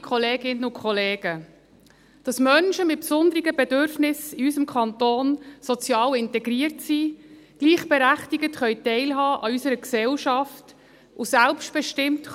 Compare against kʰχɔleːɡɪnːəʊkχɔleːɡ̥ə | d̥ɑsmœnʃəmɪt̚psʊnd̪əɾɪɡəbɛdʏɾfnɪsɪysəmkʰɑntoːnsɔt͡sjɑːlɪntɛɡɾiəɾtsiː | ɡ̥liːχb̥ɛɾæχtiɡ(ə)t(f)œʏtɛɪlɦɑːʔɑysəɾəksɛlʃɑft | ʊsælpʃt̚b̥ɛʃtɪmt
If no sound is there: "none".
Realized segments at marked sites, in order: ə, χ

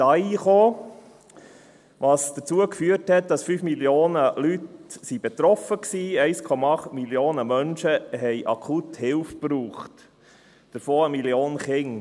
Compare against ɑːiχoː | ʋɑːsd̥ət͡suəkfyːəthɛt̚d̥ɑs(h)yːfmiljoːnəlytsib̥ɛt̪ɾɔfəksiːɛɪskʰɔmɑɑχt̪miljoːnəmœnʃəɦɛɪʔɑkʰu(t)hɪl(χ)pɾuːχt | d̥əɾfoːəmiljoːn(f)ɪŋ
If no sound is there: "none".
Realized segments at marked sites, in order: f, t, f, χ

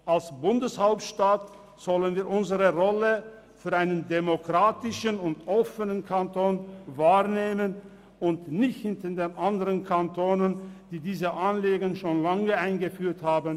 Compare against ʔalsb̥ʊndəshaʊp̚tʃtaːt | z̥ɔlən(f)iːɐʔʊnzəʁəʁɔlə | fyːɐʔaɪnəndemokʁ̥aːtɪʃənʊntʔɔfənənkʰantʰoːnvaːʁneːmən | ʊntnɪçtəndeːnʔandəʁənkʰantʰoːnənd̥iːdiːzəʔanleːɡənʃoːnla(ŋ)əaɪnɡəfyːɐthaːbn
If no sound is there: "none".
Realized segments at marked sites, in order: v, ŋ

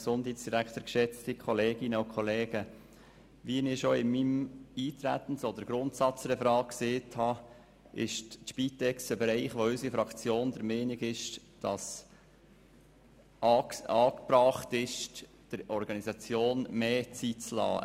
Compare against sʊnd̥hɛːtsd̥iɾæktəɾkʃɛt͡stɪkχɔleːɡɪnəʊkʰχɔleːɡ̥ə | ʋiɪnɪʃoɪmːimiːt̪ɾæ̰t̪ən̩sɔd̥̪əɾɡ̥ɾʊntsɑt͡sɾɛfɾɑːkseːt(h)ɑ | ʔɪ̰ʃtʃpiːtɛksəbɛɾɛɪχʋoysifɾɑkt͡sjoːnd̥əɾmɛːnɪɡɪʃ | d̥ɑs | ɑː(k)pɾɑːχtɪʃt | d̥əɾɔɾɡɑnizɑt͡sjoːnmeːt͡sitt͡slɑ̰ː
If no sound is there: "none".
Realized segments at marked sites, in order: h, k

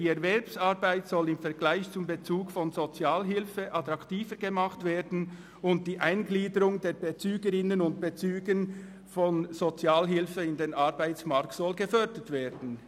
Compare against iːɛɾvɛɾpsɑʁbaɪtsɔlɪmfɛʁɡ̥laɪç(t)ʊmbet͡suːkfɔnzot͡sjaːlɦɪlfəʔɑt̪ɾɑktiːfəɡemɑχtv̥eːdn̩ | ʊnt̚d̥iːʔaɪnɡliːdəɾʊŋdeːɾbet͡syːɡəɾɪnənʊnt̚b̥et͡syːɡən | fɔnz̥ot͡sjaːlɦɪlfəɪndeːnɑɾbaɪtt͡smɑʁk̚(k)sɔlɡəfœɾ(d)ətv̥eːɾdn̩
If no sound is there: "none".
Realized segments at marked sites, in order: t͡s, t, d

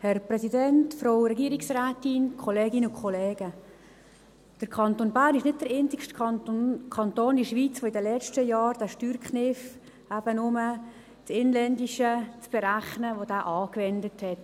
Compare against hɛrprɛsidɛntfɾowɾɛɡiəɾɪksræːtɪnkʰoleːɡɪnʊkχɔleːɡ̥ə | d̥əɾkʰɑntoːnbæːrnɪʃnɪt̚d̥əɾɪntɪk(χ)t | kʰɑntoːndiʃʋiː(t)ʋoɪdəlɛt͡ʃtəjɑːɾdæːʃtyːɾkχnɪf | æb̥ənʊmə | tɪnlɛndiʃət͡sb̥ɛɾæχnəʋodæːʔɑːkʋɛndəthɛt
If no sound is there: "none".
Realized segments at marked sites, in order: ʃ, t͡s

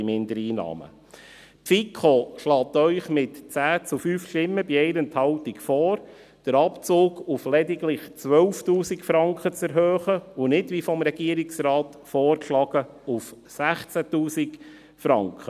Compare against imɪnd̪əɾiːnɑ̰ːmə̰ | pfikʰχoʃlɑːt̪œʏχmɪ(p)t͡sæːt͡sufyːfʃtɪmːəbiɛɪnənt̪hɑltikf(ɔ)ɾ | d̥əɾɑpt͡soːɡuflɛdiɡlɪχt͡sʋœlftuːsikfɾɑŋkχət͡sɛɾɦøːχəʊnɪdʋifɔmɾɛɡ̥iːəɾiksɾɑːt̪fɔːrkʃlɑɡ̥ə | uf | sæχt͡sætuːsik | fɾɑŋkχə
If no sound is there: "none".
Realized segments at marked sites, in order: t, ɔː

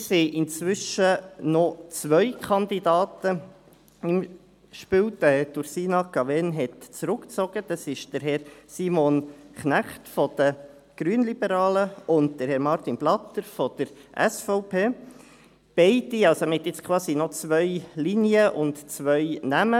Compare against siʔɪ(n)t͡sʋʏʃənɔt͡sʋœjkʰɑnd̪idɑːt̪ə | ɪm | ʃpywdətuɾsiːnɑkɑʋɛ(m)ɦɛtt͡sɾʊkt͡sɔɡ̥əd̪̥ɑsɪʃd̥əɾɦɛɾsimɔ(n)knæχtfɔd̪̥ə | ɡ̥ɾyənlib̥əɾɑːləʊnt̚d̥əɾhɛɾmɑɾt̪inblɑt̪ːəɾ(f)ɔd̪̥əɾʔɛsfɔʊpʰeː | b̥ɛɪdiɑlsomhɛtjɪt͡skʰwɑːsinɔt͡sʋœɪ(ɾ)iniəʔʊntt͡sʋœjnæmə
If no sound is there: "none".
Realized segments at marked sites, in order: n, n, n, f, l

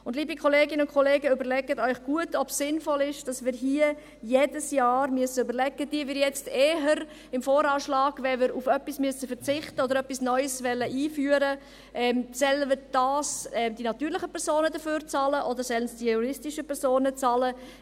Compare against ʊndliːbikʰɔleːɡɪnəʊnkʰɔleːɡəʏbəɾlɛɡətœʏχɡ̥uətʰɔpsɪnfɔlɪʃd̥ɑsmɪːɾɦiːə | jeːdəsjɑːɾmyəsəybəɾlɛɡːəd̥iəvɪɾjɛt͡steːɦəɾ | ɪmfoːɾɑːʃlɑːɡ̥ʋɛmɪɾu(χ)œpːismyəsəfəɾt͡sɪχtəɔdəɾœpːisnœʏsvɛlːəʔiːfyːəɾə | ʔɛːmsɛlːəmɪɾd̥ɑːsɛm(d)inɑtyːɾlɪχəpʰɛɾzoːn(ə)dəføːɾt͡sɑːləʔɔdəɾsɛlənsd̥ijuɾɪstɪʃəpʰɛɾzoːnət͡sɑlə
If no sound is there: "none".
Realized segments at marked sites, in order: f, d, ə

